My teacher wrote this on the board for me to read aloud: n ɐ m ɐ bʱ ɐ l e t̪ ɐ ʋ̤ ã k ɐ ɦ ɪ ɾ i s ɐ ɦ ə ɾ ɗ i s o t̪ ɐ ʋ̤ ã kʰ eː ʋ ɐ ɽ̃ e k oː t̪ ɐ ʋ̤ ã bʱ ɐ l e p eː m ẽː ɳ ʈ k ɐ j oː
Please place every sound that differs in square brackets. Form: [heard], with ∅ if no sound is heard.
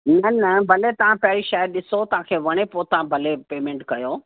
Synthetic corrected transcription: n ɐ [n] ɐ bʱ ɐ l e t̪ ɐ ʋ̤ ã [p] ɐ ɦ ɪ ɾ i [ʃ] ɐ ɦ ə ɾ ɗ [ɪ] s o t̪ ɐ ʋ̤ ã kʰ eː ʋ ɐ ɽ̃ e [p] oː t̪ ɐ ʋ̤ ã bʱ ɐ l e p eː m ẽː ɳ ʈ k ɐ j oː